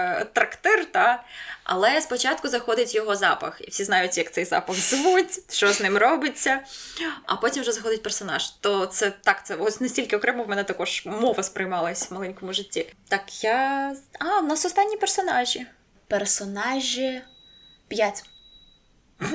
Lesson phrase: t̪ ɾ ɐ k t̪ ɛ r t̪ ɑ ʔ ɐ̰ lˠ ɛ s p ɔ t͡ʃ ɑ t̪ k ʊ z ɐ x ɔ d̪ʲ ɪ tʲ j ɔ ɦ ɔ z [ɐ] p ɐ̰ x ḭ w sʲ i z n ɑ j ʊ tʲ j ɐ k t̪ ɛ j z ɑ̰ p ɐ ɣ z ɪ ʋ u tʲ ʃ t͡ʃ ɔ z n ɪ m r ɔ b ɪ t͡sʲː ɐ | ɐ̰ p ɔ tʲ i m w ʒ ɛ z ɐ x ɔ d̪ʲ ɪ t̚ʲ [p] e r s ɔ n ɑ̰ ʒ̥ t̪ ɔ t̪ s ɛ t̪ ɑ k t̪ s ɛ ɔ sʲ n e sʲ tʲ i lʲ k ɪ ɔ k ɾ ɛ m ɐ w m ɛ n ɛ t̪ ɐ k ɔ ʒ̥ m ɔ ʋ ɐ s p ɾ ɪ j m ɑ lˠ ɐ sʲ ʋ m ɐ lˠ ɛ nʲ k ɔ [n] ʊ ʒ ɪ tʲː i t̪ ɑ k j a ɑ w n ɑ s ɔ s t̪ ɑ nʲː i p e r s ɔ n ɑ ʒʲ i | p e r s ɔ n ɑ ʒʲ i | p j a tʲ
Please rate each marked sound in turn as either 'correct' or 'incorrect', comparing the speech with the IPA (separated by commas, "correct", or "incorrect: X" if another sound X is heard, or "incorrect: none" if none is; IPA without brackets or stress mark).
incorrect: ɑ, correct, incorrect: m